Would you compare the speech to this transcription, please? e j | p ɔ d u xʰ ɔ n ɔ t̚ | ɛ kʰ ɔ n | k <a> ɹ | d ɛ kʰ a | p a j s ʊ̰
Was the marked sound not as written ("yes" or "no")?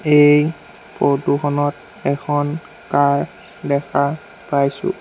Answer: no